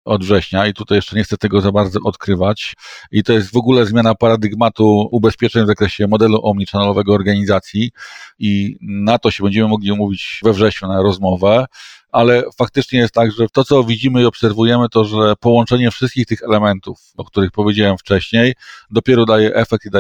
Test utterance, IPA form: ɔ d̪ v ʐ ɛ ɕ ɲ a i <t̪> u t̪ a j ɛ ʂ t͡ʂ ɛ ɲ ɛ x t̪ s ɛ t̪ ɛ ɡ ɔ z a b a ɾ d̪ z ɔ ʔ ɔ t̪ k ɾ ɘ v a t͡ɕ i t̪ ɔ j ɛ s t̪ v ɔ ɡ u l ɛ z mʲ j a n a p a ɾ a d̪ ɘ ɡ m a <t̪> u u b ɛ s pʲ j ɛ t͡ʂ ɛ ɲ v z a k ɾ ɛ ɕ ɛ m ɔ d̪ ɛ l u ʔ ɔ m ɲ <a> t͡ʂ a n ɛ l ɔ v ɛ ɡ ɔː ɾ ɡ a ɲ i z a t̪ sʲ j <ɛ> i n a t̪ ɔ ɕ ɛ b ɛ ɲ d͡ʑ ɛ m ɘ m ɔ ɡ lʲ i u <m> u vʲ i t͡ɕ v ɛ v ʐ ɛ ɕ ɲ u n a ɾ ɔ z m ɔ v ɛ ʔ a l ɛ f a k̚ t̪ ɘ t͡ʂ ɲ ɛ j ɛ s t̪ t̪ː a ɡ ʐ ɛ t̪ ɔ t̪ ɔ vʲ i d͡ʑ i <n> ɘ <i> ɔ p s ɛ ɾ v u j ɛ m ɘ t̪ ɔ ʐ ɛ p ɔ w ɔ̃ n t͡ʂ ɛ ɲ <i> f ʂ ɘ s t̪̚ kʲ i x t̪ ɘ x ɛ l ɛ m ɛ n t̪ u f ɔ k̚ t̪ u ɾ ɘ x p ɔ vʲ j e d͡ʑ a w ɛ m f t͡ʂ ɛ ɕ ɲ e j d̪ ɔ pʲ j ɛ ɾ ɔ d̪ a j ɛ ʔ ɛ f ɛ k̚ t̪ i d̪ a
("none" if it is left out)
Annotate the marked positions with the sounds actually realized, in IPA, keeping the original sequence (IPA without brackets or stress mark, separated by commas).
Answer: t̪, t̪, i, i, m, m, i, ɛ